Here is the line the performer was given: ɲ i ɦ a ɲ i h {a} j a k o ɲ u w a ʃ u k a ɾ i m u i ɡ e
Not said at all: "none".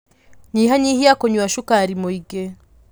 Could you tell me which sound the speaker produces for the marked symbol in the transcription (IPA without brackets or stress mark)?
i